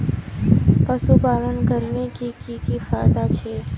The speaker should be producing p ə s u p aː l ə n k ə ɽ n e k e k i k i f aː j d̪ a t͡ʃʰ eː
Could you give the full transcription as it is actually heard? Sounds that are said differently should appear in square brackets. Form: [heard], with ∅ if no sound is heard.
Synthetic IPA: p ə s u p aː l ə n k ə [ɾ] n e k [i] k i k i f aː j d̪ a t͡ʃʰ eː